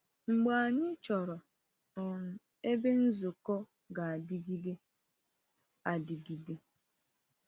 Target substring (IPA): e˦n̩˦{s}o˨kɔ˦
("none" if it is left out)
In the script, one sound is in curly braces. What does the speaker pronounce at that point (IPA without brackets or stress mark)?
z